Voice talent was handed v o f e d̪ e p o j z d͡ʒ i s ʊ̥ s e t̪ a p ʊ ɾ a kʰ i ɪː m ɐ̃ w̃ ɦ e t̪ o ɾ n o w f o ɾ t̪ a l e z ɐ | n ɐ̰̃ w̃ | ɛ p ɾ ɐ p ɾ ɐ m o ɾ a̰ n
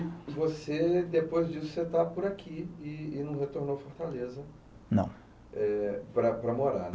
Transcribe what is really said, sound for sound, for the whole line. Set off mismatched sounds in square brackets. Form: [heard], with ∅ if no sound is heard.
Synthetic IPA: v o [s] e d̪ e p o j z d͡ʒ i s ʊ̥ s e t̪ a p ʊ ɾ a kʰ i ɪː [n] ɐ̃ w̃ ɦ e t̪ o ɾ n o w f o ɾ t̪ a l e z ɐ | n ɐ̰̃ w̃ | ɛ p ɾ ɐ p ɾ ɐ m o ɾ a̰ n